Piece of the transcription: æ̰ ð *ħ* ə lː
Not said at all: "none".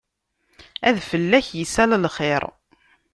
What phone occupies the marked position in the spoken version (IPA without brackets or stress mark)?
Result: f